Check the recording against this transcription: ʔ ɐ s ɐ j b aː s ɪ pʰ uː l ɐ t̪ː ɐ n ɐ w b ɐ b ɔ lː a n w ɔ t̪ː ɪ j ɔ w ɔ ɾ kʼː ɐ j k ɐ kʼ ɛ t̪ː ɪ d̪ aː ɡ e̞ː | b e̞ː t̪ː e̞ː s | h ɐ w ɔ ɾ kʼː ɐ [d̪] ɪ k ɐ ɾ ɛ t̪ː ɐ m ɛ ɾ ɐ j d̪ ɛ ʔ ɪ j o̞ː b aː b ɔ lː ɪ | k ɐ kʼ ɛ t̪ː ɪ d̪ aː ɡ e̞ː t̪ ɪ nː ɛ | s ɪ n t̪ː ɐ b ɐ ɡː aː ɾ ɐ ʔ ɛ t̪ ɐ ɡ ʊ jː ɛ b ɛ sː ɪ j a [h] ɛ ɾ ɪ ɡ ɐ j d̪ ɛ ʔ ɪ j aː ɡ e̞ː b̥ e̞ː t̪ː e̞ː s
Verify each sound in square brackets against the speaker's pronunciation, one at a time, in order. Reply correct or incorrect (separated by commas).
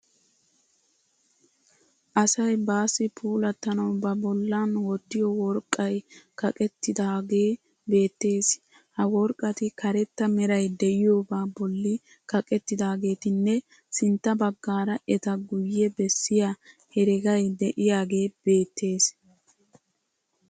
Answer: incorrect, correct